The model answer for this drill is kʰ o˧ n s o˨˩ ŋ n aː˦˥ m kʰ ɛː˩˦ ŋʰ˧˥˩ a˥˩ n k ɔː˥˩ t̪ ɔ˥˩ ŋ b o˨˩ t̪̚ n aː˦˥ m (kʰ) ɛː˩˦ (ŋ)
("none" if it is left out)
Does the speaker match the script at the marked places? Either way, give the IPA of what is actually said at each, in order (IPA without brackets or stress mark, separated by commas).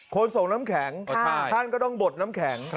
kʰ, ŋ